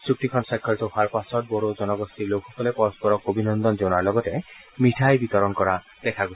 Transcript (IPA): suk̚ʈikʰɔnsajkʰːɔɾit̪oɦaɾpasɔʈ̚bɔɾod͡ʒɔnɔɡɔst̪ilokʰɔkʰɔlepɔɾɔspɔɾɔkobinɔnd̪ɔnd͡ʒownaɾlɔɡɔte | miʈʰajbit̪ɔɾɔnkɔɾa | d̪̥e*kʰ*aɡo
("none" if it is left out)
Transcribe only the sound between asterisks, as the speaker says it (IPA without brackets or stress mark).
kʰ